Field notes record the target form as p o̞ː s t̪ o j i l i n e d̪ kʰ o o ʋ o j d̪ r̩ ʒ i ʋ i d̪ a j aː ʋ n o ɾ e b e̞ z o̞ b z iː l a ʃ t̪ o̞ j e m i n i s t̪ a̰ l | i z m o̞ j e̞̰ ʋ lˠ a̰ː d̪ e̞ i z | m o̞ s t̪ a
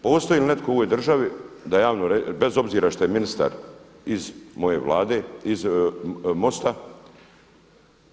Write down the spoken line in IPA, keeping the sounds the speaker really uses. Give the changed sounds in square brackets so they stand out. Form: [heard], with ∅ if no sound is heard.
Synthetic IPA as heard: p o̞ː s t̪ o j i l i n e [t̪] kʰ o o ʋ o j d̪ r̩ ʒ [a] ʋ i d̪ a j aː ʋ n o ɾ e b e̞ z o̞ b z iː [ɾ] a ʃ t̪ o̞ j e m i n i s t̪ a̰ [ɾ] | i z m o̞ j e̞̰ ʋ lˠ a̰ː d̪ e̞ i z | m o̞ s t̪ a